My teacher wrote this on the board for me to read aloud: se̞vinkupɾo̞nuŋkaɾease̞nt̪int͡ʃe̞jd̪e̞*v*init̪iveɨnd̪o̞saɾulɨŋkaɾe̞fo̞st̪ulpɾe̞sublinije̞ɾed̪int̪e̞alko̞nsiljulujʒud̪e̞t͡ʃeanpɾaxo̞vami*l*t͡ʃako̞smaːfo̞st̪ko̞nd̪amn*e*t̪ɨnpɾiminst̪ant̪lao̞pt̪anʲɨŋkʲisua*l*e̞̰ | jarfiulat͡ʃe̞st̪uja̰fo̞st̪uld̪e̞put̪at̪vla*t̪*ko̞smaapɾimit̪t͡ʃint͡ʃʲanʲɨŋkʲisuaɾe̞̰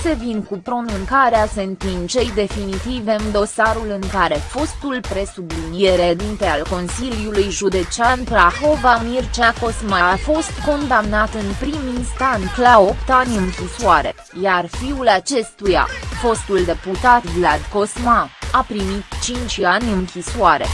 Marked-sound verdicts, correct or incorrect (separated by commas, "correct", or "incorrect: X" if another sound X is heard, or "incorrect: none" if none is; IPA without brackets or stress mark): incorrect: f, incorrect: r, incorrect: a, incorrect: ɾ, incorrect: d̪